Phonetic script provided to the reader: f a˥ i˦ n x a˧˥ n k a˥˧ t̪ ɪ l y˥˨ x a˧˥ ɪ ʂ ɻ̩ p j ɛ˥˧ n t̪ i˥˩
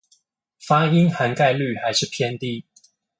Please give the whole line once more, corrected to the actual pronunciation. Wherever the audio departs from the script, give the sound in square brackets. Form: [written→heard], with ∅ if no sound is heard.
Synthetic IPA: f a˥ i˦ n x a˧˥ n k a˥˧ [t̪→∅] ɪ l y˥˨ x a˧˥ ɪ ʂ ɻ̩ [p→pʰ] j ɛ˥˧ n t̪ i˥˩

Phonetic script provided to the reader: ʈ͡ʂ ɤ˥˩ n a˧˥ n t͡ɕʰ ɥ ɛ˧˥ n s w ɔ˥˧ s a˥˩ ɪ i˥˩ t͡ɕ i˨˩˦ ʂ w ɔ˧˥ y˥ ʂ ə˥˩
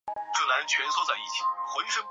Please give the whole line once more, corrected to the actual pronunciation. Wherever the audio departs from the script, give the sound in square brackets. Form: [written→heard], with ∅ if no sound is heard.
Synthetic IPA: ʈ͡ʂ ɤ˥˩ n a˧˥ n t͡ɕʰ ɥ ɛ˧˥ n s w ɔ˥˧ [s→t͡s] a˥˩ ɪ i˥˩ [t͡ɕ→t͡ɕʰ] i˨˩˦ [ʂ→x] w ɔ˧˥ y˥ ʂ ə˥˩

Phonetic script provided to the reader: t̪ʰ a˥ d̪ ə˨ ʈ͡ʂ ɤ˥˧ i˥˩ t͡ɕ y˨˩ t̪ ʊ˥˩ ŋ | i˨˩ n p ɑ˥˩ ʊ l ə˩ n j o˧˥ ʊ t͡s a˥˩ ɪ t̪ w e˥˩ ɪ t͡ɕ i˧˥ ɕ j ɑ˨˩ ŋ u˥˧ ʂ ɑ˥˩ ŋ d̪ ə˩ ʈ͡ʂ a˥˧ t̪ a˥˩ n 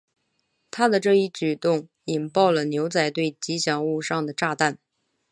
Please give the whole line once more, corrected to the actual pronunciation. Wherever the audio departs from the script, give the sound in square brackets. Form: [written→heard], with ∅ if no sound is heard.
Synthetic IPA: t̪ʰ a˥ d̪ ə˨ ʈ͡ʂ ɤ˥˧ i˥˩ t͡ɕ y˨˩ t̪ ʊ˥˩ ŋ | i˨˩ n p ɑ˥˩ ʊ l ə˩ n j o˧˥ ʊ t͡s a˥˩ ɪ t̪ w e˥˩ ɪ t͡ɕ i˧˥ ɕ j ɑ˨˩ ŋ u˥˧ ʂ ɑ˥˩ ŋ d̪ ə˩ ʈ͡ʂ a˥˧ t̪ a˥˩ n

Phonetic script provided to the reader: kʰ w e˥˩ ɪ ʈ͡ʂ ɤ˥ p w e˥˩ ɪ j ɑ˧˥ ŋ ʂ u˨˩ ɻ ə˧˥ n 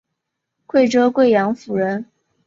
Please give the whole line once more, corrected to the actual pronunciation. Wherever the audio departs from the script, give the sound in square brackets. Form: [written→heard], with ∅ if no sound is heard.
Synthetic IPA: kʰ w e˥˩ ɪ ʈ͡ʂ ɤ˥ [p→k] w e˥˩ ɪ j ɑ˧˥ ŋ [ʂ→f] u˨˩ ɻ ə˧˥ n

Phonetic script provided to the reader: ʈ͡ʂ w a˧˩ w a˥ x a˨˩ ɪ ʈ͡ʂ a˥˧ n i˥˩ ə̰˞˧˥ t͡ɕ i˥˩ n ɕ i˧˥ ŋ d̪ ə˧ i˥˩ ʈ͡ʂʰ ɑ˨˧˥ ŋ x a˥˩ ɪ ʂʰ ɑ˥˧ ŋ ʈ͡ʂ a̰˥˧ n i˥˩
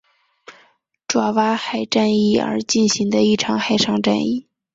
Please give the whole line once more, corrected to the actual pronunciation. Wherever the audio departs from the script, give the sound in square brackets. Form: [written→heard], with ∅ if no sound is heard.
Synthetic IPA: ʈ͡ʂ w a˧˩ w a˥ x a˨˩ ɪ ʈ͡ʂ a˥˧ n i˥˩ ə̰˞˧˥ t͡ɕ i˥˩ n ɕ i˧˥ ŋ d̪ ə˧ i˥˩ ʈ͡ʂʰ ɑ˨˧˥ ŋ x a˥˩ ɪ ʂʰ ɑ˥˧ ŋ ʈ͡ʂ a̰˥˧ n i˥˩

